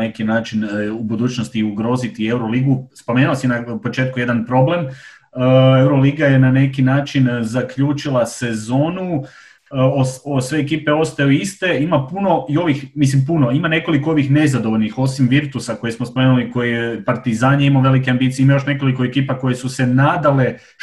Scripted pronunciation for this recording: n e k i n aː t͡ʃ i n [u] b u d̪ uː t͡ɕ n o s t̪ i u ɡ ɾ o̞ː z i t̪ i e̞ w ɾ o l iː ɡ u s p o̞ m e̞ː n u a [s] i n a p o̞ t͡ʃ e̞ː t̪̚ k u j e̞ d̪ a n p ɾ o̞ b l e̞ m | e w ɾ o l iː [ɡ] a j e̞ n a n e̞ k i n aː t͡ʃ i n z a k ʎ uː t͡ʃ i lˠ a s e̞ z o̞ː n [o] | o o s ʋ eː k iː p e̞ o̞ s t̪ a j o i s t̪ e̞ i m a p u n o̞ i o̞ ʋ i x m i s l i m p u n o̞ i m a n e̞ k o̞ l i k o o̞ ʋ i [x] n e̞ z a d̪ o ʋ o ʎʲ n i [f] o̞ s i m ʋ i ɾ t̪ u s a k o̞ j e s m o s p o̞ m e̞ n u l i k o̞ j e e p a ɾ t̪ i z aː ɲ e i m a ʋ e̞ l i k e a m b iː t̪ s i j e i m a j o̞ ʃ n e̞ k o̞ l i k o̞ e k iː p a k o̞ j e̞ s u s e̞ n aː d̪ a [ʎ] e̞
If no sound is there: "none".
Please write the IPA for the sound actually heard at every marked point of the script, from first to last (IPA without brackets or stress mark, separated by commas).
u, s, ɡ, u, x, x, l